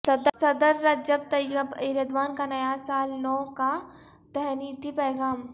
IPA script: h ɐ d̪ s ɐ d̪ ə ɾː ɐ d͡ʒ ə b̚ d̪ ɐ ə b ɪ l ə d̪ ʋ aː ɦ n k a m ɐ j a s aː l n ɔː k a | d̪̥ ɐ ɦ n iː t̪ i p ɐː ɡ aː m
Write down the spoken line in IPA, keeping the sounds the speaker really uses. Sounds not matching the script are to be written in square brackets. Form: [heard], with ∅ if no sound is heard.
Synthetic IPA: [s] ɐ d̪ s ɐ d̪ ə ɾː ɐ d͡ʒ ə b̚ [t̪] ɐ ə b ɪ [ɾ] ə d̪ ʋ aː [∅] n k a [n] ɐ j a s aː l n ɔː k a | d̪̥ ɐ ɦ n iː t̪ i p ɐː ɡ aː m